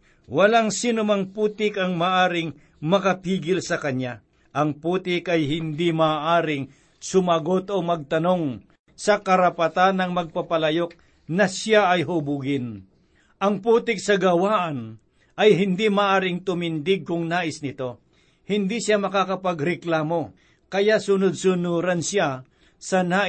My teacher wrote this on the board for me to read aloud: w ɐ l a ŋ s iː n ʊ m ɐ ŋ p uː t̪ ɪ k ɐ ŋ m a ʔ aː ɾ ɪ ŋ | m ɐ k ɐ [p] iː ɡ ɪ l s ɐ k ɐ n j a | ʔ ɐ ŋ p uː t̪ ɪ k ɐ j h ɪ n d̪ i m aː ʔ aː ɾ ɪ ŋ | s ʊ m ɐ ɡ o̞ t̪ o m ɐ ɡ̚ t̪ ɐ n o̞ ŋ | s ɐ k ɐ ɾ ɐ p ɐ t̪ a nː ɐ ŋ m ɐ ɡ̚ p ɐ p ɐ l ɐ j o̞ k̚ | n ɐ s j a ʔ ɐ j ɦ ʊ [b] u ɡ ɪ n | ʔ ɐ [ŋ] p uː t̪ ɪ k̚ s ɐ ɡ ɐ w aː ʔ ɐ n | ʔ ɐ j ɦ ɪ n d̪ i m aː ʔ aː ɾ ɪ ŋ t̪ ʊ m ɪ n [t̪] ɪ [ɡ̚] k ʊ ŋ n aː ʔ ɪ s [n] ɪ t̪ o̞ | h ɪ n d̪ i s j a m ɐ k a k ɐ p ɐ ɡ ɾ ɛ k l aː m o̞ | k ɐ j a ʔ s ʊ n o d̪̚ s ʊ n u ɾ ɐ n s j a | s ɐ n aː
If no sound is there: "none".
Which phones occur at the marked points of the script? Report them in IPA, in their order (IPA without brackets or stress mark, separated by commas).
p, b, ŋ, d̪, ɡ̚, n